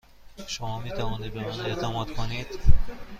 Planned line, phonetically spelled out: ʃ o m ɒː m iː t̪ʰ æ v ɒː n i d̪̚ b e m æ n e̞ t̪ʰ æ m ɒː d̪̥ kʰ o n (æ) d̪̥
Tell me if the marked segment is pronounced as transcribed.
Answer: no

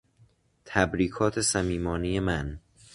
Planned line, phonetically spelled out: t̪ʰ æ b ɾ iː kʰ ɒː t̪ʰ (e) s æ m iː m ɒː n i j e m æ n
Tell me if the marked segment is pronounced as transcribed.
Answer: yes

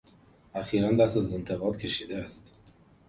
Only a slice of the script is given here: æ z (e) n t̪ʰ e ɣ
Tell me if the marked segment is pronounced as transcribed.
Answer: yes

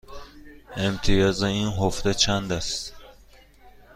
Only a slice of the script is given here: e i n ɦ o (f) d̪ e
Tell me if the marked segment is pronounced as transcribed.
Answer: yes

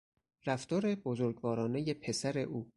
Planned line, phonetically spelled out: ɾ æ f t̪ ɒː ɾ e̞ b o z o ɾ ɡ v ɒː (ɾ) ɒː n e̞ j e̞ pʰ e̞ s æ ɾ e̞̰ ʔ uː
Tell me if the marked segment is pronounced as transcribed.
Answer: yes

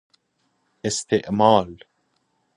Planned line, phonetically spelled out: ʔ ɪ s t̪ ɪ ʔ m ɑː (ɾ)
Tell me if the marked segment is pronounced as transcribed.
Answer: no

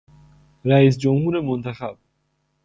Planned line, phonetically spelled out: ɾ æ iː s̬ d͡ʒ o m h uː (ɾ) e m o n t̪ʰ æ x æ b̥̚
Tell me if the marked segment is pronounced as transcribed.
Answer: yes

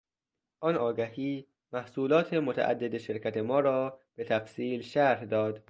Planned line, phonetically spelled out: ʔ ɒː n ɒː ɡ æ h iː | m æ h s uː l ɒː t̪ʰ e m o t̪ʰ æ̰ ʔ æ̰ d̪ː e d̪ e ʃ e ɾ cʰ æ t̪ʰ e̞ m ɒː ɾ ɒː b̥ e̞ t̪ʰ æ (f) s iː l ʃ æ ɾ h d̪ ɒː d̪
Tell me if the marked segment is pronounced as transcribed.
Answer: yes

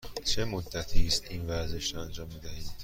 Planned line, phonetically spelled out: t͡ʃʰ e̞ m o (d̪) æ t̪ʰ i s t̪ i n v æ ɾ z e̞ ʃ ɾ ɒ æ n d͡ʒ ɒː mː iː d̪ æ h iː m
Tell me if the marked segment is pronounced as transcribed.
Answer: no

